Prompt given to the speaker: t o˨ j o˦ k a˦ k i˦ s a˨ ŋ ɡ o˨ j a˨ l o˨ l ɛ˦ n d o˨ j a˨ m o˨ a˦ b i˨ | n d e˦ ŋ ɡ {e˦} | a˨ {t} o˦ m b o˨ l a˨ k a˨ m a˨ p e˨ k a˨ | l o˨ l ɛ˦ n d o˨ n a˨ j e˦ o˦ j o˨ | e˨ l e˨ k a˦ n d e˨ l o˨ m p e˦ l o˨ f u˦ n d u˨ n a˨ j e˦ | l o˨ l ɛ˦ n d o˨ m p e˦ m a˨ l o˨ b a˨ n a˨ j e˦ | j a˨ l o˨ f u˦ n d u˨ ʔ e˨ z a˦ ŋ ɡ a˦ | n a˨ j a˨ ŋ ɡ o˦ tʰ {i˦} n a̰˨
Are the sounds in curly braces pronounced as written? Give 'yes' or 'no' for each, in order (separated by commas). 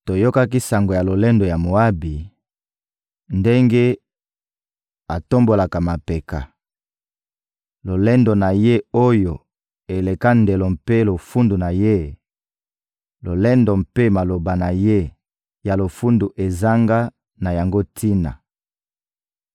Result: yes, yes, yes